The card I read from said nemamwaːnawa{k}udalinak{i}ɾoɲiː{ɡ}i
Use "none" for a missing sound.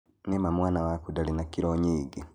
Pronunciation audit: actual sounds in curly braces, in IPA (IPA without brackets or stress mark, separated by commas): k, i, ɡ